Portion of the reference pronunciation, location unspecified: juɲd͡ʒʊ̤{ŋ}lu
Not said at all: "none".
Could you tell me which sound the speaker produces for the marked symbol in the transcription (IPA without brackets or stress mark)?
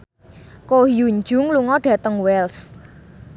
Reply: ŋ